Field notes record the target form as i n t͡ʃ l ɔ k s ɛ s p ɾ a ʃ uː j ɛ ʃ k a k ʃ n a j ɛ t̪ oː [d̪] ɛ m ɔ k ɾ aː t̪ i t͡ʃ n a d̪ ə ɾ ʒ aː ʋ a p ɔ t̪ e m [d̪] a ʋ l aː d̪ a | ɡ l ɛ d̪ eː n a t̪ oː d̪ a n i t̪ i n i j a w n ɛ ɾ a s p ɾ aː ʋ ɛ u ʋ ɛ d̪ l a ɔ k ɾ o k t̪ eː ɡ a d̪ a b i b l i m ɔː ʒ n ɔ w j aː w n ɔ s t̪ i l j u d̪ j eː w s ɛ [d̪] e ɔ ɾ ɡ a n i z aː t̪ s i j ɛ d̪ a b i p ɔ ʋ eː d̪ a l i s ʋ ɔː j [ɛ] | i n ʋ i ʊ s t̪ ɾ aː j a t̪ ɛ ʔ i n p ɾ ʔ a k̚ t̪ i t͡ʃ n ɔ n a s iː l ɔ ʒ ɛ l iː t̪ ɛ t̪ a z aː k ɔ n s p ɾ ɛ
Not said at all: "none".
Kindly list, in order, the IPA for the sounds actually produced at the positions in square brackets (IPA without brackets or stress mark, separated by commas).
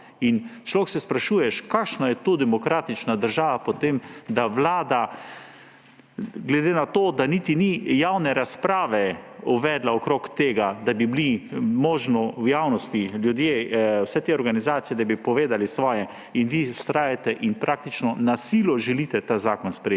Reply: d̪, d̪, t̪, ɛ